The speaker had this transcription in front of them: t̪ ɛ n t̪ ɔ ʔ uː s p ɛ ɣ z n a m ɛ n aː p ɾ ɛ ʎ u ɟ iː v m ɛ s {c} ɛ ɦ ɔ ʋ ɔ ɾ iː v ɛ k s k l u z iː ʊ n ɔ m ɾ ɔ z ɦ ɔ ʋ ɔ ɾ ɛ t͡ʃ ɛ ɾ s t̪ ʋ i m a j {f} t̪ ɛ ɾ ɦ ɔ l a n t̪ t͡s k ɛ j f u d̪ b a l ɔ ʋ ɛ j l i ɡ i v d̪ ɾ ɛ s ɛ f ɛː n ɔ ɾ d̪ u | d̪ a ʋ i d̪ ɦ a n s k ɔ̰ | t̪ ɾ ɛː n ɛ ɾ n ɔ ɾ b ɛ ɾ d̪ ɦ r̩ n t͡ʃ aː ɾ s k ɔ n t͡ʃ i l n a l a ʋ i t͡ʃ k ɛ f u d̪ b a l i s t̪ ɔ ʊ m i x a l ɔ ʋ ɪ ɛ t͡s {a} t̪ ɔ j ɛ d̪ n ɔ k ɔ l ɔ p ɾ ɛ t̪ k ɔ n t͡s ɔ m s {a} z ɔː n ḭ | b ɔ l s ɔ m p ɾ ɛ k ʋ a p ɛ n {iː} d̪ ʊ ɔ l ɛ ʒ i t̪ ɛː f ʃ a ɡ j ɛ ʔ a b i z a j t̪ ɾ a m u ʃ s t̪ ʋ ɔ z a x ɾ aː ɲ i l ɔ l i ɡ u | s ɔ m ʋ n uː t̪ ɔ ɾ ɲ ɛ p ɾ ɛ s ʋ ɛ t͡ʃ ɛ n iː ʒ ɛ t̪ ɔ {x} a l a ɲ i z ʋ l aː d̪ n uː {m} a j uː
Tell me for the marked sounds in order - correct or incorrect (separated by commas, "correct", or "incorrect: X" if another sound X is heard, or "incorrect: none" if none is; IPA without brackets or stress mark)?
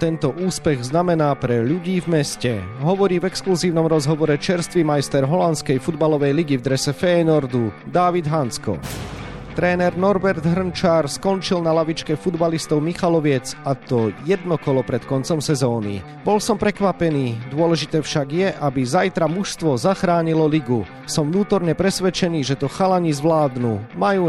correct, incorrect: s, correct, incorrect: ɛ, correct, correct, correct